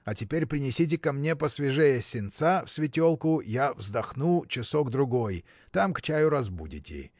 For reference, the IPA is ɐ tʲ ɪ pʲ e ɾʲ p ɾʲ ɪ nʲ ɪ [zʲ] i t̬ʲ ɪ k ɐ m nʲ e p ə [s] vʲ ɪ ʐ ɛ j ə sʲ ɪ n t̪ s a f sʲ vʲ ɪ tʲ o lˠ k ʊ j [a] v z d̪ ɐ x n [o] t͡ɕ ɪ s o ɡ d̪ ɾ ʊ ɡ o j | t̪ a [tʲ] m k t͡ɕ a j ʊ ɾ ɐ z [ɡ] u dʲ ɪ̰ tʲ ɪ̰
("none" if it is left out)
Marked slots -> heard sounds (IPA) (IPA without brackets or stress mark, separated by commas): sʲ, s, a, u, none, b